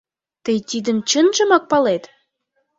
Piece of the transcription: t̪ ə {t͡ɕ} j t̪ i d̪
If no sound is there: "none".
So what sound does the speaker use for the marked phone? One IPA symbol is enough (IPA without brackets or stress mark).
none